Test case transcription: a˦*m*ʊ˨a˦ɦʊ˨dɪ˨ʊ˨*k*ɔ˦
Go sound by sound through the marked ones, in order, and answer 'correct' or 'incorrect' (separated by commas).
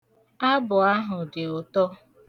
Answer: incorrect, incorrect